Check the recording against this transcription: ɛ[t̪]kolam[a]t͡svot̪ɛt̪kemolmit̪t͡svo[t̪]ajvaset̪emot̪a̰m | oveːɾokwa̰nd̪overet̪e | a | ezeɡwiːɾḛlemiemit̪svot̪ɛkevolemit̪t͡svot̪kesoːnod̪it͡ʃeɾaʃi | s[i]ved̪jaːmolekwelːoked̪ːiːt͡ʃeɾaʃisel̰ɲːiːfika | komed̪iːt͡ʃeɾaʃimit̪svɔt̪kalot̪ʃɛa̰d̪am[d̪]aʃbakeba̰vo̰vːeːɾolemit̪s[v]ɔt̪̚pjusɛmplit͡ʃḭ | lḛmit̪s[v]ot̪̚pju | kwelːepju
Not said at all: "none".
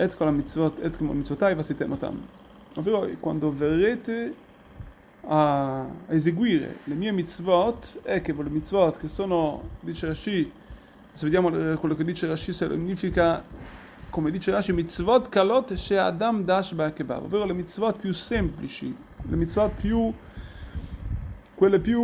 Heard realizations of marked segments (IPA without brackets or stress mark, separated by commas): t̪, i, t̪, e, d̪, v, v